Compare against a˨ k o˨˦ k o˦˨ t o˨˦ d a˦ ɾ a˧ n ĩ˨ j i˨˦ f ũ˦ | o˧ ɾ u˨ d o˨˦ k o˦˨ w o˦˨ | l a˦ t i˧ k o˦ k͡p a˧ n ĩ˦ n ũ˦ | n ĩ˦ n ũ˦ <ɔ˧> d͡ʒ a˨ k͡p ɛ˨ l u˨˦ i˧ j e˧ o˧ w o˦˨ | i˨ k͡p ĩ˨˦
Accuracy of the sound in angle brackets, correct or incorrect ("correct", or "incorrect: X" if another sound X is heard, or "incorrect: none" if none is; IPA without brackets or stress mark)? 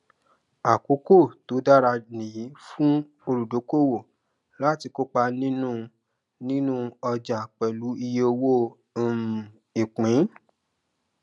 correct